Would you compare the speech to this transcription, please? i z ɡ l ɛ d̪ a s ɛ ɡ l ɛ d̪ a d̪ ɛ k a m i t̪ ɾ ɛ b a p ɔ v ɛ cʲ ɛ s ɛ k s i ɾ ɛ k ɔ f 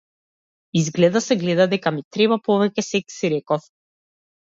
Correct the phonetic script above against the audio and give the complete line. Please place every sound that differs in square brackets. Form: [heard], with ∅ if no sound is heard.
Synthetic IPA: i z ɡ l ɛ d̪ a s ɛ ɡ l ɛ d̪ a d̪ ɛ k a m i t̪ ɾ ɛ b a p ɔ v ɛ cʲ ɛ s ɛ k s i ɾ ɛ k ɔ f